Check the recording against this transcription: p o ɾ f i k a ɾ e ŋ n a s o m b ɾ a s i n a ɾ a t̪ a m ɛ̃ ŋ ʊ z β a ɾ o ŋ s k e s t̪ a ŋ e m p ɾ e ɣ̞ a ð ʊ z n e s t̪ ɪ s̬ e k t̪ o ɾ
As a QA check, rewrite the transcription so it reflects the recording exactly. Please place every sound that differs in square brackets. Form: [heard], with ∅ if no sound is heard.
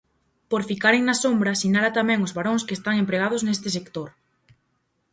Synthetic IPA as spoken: p o ɾ f i k a ɾ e ŋ n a s o m b ɾ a s i n a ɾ a t̪ a m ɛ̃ ŋ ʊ z β a ɾ o ŋ s k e s t̪ a ŋ e m p ɾ e ɣ̞ a ð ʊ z n e s t̪ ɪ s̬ e k t̪ o ɾ